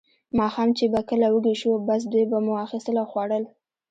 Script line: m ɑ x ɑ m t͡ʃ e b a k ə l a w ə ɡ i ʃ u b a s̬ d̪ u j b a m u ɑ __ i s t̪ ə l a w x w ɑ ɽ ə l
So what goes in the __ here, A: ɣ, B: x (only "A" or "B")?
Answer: B